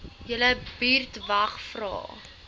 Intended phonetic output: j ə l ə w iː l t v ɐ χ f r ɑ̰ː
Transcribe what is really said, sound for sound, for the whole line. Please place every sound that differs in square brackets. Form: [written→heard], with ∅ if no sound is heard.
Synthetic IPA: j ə l ə [w→b] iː [l→r] t v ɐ χ f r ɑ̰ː